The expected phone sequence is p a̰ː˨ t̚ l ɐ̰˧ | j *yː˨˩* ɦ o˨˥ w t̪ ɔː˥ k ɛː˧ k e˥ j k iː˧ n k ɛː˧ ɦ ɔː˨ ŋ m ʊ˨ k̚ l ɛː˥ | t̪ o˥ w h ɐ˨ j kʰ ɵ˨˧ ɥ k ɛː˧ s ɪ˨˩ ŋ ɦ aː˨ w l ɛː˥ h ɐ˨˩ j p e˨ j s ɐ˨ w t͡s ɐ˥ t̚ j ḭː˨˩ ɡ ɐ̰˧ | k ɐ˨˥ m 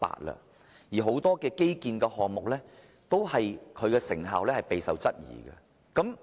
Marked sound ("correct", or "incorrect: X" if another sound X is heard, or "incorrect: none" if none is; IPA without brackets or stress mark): incorrect: iː˨˩